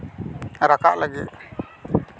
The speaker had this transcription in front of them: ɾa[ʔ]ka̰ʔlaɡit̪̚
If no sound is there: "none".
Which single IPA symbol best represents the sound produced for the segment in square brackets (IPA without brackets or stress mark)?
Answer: none